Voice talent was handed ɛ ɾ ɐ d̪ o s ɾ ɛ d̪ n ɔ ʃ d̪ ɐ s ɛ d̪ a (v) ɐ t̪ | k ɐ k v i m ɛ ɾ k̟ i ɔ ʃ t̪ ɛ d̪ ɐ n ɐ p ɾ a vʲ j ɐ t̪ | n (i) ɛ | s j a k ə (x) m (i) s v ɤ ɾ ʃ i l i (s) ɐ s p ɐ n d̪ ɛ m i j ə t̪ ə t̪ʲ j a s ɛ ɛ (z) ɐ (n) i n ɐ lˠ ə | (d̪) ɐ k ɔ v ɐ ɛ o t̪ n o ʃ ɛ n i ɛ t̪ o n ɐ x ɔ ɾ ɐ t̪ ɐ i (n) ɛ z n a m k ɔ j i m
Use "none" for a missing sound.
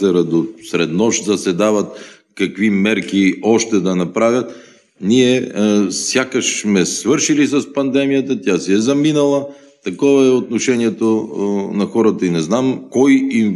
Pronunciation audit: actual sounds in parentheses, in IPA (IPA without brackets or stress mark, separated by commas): v, i, ʃ, ɛ, s, z, m, t̪, n